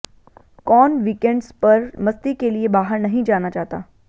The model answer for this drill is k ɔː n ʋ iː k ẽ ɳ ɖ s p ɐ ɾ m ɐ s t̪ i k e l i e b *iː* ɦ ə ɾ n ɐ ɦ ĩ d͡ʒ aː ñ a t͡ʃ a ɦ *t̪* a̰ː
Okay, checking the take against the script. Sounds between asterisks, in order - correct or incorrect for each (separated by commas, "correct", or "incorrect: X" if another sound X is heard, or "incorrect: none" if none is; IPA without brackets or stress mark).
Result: incorrect: aː, correct